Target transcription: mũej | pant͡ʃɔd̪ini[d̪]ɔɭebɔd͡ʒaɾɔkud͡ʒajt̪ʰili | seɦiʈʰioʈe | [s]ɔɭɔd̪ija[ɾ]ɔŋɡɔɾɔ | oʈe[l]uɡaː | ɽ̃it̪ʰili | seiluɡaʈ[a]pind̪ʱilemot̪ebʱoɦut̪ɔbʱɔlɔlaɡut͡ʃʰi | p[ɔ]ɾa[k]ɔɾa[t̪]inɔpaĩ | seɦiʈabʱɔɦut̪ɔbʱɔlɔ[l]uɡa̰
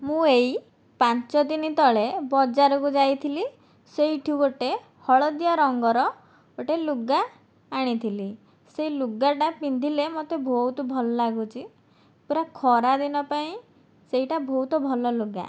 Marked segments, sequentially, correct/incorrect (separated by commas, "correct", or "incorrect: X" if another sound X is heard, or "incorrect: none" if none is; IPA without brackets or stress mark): incorrect: t̪, incorrect: h, correct, correct, correct, incorrect: u, incorrect: kʰ, incorrect: d̪, correct